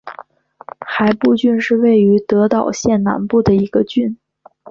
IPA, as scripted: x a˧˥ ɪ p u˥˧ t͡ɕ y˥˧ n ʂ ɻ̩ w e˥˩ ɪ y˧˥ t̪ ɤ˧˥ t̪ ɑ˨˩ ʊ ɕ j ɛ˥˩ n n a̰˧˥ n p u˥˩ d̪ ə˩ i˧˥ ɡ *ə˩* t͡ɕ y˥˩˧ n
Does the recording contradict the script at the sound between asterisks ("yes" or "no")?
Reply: yes